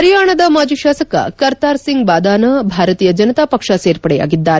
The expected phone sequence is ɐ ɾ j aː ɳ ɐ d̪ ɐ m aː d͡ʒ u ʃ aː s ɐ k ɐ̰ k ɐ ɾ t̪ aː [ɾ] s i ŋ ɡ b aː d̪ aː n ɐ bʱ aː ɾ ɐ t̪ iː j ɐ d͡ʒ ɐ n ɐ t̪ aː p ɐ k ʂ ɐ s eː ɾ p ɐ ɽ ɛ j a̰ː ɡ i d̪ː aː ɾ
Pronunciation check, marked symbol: correct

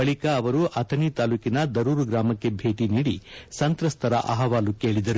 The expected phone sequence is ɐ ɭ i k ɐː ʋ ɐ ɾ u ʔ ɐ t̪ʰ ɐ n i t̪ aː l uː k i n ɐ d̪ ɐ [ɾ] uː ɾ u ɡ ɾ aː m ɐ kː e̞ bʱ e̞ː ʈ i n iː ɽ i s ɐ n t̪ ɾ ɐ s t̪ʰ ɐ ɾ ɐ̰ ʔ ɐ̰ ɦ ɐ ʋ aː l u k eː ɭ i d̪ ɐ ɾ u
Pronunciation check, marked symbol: correct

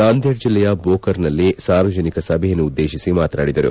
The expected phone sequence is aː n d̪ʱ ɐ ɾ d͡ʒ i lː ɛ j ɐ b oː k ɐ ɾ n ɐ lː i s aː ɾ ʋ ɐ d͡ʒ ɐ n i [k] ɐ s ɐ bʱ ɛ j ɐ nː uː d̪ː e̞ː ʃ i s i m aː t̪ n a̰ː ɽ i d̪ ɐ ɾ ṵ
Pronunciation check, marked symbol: correct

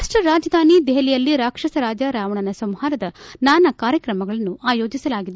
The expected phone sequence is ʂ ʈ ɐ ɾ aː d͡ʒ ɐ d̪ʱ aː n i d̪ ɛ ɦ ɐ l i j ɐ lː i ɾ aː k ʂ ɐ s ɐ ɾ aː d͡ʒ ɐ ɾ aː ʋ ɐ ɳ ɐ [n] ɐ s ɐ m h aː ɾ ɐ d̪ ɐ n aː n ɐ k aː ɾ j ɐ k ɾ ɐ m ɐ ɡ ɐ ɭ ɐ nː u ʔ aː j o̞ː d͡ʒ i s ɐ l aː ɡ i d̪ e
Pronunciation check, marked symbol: correct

